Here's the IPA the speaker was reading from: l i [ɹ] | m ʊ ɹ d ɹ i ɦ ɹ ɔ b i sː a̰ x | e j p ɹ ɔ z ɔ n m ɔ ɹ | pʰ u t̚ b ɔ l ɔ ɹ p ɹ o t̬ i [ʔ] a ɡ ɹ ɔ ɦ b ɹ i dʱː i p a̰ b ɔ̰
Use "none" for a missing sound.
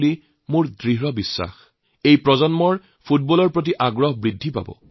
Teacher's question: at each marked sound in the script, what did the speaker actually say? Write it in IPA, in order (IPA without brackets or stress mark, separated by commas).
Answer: none, ʔ